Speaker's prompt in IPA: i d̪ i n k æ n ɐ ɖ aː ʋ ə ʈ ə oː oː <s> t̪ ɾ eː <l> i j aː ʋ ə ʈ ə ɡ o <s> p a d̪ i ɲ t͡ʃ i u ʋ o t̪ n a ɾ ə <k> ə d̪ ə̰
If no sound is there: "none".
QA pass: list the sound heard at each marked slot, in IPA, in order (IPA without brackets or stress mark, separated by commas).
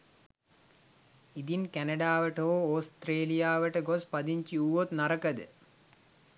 s, l, s, k